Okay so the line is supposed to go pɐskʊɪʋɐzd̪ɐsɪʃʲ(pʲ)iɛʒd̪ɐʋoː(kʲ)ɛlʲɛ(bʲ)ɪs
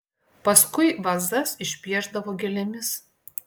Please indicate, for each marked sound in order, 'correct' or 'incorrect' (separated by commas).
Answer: correct, incorrect, incorrect